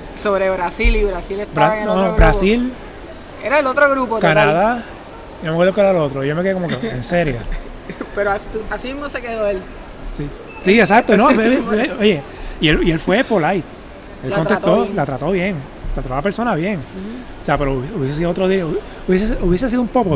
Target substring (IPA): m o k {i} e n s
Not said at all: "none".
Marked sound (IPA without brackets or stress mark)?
e